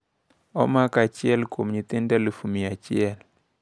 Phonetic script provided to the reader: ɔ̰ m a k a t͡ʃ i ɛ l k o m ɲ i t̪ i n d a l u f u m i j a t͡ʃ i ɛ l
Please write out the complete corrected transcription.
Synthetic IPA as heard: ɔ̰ m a k a t͡ʃ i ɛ l k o m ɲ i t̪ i n d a l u f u m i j a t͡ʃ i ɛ l